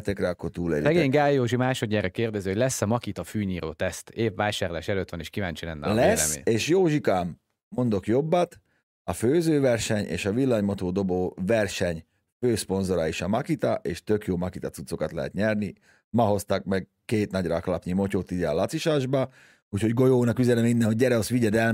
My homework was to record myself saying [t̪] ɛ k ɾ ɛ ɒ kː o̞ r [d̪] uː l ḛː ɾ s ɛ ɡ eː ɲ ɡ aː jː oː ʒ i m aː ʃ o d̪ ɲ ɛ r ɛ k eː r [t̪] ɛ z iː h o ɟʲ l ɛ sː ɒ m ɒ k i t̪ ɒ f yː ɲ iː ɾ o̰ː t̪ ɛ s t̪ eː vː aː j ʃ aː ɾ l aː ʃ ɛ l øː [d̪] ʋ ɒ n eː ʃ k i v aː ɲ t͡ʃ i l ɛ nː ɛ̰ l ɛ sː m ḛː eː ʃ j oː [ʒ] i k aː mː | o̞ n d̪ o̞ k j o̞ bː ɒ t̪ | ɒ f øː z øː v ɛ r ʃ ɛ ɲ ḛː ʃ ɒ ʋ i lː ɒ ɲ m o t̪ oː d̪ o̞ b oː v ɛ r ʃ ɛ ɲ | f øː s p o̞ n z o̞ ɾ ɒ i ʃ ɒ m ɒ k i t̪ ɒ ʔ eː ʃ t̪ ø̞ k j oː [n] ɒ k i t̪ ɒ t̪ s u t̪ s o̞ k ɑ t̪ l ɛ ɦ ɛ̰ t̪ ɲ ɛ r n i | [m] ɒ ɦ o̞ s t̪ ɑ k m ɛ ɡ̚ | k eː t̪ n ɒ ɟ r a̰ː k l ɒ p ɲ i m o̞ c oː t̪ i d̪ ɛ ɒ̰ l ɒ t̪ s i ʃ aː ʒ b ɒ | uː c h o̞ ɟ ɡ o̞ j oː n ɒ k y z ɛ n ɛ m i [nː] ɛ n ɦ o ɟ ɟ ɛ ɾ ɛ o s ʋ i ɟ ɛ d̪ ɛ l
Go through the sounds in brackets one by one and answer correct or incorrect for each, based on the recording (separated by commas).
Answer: correct, incorrect, incorrect, incorrect, correct, incorrect, correct, correct